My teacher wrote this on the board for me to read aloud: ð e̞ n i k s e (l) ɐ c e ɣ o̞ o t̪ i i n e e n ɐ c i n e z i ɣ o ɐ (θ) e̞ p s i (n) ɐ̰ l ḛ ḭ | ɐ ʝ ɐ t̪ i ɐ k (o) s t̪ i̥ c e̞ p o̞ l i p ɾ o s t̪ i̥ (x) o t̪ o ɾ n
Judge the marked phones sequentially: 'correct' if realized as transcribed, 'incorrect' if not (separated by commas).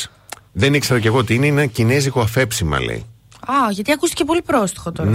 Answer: incorrect, incorrect, incorrect, incorrect, correct